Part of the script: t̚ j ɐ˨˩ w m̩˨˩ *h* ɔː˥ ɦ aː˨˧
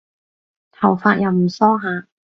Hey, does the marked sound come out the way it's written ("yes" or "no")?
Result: no